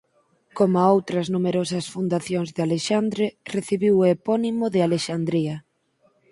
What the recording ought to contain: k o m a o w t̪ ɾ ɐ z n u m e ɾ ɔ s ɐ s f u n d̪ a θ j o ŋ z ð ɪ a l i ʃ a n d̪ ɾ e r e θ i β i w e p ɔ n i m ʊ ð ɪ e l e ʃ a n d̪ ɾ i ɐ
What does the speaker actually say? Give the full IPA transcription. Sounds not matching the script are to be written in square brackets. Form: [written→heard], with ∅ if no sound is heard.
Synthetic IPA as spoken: k o m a o w t̪ ɾ ɐ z n u m e ɾ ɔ s ɐ s f u n d̪ a θ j o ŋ z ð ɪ a l [i→e] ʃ a n d̪ ɾ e r e θ i β i w e p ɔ n i m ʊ ð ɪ [e→a] l e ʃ a n d̪ ɾ i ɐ